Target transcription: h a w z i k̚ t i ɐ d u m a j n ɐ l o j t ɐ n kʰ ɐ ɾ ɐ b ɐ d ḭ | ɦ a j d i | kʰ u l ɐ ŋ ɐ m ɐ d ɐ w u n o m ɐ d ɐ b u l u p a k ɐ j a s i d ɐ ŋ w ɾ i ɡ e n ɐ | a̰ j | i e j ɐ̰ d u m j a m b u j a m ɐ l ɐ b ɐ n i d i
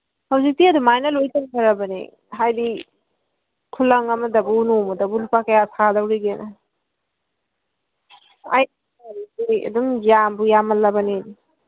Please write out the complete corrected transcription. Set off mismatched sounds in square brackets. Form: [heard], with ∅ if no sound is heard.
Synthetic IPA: h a w z i k̚ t i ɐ d u m a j n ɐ l o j t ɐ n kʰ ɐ ɾ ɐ b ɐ [n] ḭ | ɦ a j d i | kʰ u l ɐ ŋ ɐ m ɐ d ɐ [b] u n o m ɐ d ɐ b u l u p a k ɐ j a s [a] d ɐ [∅] w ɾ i ɡ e n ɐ | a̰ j | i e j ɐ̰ d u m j a m b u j a m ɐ l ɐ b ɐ n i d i